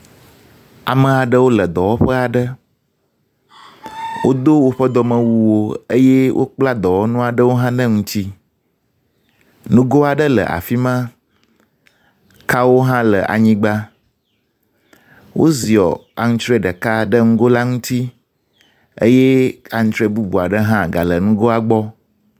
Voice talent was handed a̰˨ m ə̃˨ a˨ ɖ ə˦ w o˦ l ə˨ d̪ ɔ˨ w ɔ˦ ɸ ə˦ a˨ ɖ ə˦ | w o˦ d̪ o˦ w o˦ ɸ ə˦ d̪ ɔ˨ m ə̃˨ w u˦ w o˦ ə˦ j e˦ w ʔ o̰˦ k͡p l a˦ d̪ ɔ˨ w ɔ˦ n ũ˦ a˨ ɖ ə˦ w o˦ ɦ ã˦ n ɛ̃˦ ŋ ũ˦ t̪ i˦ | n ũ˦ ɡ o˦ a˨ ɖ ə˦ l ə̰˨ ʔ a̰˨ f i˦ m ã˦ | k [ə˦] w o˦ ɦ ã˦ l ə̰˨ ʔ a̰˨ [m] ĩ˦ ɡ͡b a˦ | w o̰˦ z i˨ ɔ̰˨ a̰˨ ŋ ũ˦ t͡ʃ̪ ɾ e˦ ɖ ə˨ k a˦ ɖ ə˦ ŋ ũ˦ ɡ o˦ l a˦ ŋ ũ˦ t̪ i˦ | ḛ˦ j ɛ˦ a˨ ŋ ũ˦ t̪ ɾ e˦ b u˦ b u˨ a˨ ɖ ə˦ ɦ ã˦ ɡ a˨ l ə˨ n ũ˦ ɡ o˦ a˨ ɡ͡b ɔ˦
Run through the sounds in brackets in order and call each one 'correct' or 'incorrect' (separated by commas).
incorrect, incorrect